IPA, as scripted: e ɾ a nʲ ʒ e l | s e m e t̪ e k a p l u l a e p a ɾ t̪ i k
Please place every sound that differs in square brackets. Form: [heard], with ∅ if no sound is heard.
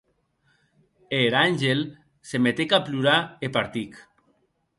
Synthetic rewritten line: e ɾ a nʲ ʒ e l | s e m e t̪ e k a p l u [ɾ] a e p a ɾ t̪ i k